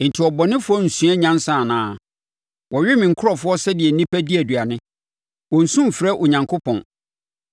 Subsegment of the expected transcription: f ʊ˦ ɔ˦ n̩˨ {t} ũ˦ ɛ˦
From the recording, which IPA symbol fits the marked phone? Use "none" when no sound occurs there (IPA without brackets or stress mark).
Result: s